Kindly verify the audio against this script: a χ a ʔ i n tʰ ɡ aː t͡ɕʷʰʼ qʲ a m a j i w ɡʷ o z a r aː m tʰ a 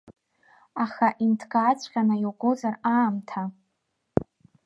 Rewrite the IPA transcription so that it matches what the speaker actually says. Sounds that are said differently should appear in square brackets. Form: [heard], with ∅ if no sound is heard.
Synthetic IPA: a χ a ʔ i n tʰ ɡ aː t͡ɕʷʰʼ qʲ a [n] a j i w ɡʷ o z a r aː m tʰ a